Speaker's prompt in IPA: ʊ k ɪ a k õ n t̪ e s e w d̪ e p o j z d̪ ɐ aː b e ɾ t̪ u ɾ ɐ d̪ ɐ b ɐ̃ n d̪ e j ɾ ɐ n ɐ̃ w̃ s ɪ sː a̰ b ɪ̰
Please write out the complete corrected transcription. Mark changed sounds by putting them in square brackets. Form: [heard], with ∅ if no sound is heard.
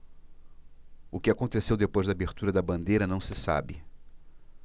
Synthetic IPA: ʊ k ɪ a k õ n t̪ e s e w d̪ e p o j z d̪ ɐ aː b e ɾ t̪ u ɾ ɐ d̪ ɐ b ɐ̃ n d̪ e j ɾ ɐ n ɐ̃ w̃ s ɪ [s] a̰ b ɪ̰

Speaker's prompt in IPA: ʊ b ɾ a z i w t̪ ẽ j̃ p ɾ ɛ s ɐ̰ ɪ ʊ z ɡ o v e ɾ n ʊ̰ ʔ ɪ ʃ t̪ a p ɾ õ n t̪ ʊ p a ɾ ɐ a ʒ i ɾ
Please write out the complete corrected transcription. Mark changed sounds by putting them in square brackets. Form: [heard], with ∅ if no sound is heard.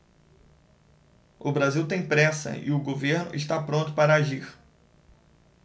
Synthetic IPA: ʊ b ɾ a z i w t̪ ẽ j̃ p ɾ ɛ s ɐ̰ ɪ ʊ [∅] ɡ o v e ɾ n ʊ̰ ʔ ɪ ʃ t̪ a p ɾ õ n t̪ ʊ p a ɾ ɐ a ʒ i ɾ

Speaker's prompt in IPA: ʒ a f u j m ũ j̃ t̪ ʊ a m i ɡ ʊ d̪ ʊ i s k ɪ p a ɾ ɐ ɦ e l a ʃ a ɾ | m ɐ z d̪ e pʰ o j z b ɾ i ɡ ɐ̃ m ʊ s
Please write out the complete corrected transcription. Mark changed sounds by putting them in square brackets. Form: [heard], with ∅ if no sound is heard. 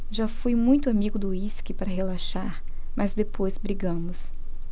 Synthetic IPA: ʒ a f u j m ũ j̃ t̪ ʊ a m i ɡ ʊ d̪ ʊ i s k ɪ p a ɾ ɐ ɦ e l a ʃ a ɾ | m ɐ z d̪ e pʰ o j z b ɾ i ɡ ɐ̃ m ʊ s

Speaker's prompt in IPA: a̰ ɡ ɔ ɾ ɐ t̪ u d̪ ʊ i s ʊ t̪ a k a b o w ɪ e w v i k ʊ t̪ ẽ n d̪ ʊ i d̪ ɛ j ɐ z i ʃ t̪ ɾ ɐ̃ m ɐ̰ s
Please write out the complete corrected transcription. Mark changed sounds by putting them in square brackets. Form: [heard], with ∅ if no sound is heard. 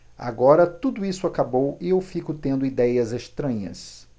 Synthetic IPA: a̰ ɡ ɔ ɾ ɐ t̪ u d̪ ʊ i s ʊ [∅] a k a b o w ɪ e w [f] i k ʊ t̪ ẽ n d̪ ʊ i d̪ ɛ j ɐ z [e] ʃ t̪ ɾ ɐ̃ [ɲ] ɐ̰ s

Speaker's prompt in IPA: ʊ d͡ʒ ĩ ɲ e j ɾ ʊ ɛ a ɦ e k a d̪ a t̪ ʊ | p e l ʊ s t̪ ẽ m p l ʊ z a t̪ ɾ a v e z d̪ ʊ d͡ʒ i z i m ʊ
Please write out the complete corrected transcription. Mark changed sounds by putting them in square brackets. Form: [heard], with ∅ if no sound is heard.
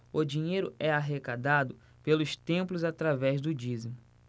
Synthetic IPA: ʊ d͡ʒ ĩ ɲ e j ɾ ʊ ɛ a ɦ e k a d̪ a [d̪] ʊ | p e l ʊ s t̪ ẽ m p l ʊ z a t̪ ɾ a v [ɛ] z d̪ ʊ d͡ʒ i z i m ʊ

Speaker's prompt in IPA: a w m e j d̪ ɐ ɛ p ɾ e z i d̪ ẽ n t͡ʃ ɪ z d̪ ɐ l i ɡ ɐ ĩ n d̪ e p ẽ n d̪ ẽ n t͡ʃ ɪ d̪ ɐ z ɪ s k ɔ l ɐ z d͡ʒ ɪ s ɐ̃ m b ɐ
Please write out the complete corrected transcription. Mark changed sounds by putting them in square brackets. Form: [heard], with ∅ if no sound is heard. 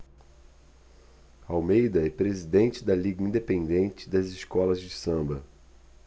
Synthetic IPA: a w m e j d̪ ɐ ɛ p ɾ e z i d̪ ẽ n t͡ʃ ɪ [∅] d̪ ɐ l i ɡ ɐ ĩ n d̪ e p ẽ n d̪ ẽ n t͡ʃ ɪ d̪ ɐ z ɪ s k ɔ l ɐ z d͡ʒ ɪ s ɐ̃ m b ɐ

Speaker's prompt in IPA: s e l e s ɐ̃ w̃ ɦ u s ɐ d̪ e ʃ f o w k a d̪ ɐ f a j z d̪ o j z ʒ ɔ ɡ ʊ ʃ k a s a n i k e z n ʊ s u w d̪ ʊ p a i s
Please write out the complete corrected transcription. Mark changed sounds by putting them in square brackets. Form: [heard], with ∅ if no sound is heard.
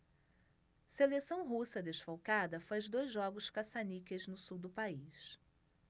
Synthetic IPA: s e l e s ɐ̃ w̃ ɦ u s ɐ d̪ e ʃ f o w k a d̪ ɐ f a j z d̪ o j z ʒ ɔ ɡ ʊ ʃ k a s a n i k e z n ʊ s u w d̪ ʊ p a i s

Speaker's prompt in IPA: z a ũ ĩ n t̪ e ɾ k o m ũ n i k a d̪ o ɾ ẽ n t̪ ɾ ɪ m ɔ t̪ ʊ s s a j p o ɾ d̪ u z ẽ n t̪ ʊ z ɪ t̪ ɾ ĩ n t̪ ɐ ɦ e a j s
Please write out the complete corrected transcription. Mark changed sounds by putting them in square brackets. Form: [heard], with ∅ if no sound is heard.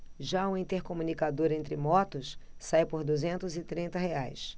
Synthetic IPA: [ʒ] a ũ ĩ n t̪ e ɾ k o m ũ n i k a d̪ o ɾ ẽ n t̪ ɾ ɪ m ɔ t̪ ʊ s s a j p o ɾ d̪ u z ẽ n t̪ ʊ z ɪ t̪ ɾ ĩ n t̪ ɐ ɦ e a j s

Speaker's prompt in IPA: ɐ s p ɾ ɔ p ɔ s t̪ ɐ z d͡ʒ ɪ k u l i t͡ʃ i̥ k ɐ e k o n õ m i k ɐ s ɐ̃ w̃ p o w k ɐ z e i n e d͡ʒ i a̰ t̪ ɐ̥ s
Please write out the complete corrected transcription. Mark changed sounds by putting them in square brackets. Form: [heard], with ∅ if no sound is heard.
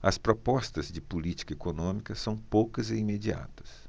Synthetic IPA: ɐ s p ɾ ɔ p ɔ s t̪ ɐ z d͡ʒ ɪ [p] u l i t͡ʃ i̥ k ɐ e k o n õ m i k ɐ s ɐ̃ w̃ p o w k ɐ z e i [m] e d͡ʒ i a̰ t̪ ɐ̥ s

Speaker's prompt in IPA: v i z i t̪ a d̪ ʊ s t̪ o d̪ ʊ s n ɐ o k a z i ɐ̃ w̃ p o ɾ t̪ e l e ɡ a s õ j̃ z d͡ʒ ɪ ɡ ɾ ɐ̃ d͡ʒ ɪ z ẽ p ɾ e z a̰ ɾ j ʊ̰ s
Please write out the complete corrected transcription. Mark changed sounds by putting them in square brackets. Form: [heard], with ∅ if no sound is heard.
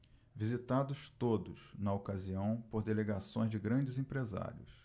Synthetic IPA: v i z i t̪ a d̪ ʊ s t̪ o d̪ ʊ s n ɐ o k a z i ɐ̃ w̃ p o ɾ [d̪] e l e ɡ a s õ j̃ z d͡ʒ ɪ ɡ ɾ ɐ̃ d͡ʒ ɪ z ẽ p ɾ e z a̰ ɾ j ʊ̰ s

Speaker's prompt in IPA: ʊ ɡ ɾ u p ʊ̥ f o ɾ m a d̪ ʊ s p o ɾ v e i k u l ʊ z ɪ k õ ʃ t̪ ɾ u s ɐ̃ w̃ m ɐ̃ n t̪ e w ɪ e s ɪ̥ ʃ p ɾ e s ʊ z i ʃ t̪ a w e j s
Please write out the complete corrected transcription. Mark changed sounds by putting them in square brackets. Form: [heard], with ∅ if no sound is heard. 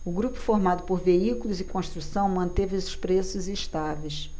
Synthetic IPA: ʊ ɡ ɾ u p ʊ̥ f o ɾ m a d̪ ʊ [∅] p o ɾ v e i k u l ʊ z ɪ k õ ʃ t̪ ɾ u s ɐ̃ w̃ m ɐ̃ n t̪ e [v] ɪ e s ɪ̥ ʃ p ɾ e s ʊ z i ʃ t̪ a [v] e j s

